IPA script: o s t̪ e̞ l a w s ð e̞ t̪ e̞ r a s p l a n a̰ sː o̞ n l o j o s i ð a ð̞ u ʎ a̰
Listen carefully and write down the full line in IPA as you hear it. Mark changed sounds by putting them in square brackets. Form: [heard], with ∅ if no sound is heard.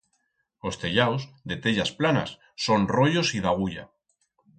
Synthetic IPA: o s t̪ e̞ [ʎ] a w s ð e̞ t̪ e̞ [ʎ] a s p l a n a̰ sː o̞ n [r] o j o s i ð a [ɣ̞] u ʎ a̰

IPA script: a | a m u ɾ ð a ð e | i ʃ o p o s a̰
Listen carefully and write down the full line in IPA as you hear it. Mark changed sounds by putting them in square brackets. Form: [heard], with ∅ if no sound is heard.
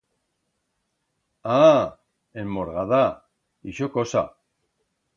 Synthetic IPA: a | [e] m [o] ɾ [ɣ] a ð [a] | i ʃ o [k] o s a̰

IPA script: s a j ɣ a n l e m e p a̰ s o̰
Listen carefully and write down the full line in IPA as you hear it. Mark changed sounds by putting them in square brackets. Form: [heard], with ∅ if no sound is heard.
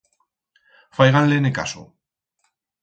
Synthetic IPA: [f] a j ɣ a n l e [n] e [k] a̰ s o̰

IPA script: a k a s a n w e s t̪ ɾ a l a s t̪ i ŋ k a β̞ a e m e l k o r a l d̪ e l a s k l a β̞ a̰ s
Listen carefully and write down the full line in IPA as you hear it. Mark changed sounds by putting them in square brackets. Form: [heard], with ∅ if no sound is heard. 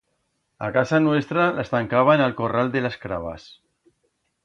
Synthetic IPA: a k a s a n w e s t̪ ɾ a l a s t̪ [a] ŋ k a β̞ a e [n] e l k o r a l d̪ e l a s k [ɾ] a β̞ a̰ s

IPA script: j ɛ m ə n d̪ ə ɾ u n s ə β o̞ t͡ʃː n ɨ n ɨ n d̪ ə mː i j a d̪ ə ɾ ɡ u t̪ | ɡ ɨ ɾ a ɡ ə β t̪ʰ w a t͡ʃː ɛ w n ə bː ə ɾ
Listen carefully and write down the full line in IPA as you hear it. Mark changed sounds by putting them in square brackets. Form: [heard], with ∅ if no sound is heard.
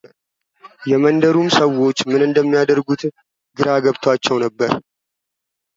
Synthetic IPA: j ɛ m ə n d̪ ə ɾ u [m] s ə [w] o̞ t͡ʃː [m] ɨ n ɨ n d̪ ə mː i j a d̪ ə ɾ ɡ u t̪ | ɡ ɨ ɾ a ɡ ə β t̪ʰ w a t͡ʃː ɛ w n ə bː ə ɾ

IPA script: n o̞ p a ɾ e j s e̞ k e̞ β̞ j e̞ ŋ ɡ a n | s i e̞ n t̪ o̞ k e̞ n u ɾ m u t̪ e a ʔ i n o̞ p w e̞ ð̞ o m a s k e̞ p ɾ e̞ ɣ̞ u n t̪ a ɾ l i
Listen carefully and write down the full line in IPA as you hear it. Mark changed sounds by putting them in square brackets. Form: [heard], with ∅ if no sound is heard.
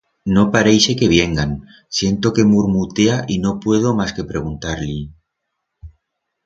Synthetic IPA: n o̞ p a ɾ e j s e̞ k e̞ β̞ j e̞ ŋ ɡ a n | s [j] e̞ n t̪ o̞ k e̞ [m] u ɾ m u t̪ e a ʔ i n o̞ p w e̞ ð̞ o m a s k e̞ p ɾ e̞ ɣ̞ u n t̪ a ɾ l i

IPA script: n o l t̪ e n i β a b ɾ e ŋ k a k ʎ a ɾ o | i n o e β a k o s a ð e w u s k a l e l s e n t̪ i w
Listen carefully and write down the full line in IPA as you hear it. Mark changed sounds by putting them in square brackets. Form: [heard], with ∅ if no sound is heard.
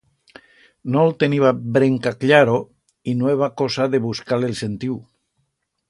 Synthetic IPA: n o l t̪ e n i β a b ɾ e ŋ k a k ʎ a ɾ o | i n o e β a k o s a ð e [β] u s k a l e l s e n t̪ i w

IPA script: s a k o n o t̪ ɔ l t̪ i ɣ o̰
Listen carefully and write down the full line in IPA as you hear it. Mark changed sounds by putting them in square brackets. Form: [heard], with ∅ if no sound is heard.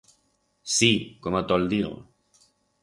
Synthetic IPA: s [i] k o [m] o t̪ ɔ l [d̪] i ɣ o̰

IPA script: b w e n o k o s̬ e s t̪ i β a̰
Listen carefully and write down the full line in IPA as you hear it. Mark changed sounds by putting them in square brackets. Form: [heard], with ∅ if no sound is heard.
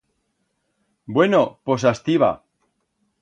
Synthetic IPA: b w e n o [p] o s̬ [a] s t̪ i β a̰

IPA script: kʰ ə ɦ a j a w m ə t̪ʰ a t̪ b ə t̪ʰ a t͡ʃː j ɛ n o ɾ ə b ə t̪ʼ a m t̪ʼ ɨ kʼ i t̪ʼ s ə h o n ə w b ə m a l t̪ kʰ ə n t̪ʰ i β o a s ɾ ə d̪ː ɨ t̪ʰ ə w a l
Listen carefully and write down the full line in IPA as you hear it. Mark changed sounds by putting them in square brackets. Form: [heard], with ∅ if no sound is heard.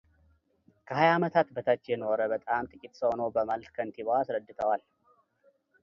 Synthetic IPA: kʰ ə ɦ a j a [∅] m ə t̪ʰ a t̪ b ə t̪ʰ a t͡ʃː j ɛ n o ɾ ə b ə t̪ʼ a m t̪ʼ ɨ kʼ i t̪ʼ s ə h o n ə w b ə m a l t̪ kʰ ə n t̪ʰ i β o a s ɾ ə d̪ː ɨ t̪ʰ ə w a l

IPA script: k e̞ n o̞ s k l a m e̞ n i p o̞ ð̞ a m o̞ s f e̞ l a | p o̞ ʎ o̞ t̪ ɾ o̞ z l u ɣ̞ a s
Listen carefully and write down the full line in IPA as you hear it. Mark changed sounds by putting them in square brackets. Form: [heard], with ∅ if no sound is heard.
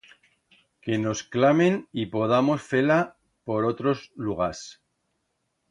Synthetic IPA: k e̞ n o̞ s k l a m e̞ n i p o̞ ð̞ a m o̞ s f e̞ l a | p o̞ [ɾ] o̞ t̪ ɾ o̞ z l u ɣ̞ a s

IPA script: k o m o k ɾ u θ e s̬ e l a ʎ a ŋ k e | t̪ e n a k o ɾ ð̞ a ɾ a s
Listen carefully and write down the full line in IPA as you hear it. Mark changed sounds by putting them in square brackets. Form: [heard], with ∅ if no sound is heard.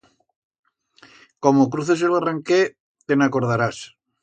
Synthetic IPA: k o m o k ɾ u θ e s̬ e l a [r] a ŋ k e | t̪ e n a k o ɾ ð̞ a ɾ a s

